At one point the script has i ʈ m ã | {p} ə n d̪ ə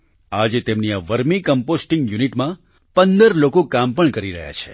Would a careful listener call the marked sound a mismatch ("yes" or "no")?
no